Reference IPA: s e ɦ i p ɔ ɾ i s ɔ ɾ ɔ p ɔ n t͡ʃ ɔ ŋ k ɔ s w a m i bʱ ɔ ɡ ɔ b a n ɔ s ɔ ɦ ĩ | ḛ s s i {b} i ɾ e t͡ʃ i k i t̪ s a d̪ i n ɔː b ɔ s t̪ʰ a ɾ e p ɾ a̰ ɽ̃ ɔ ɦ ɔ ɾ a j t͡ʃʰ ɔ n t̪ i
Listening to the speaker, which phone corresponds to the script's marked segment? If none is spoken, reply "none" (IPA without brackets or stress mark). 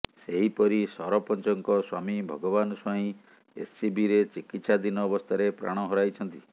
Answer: b